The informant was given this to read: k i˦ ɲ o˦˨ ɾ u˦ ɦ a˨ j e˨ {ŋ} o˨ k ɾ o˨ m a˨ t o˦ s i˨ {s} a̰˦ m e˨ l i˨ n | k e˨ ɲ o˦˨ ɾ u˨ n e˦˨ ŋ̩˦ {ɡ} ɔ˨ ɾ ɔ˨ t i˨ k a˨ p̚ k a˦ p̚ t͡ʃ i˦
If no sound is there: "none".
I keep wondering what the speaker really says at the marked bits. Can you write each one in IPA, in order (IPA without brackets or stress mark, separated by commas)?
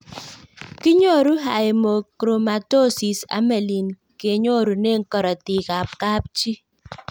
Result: m, s, k